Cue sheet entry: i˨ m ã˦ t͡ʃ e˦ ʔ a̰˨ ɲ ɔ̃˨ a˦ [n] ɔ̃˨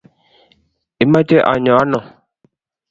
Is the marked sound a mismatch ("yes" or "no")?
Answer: no